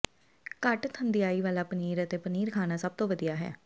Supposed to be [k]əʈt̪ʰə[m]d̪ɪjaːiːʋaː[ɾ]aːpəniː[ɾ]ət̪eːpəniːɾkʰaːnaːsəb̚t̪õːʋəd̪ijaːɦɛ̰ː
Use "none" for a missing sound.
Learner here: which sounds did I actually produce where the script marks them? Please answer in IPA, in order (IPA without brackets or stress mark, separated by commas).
k, n, l, ɾ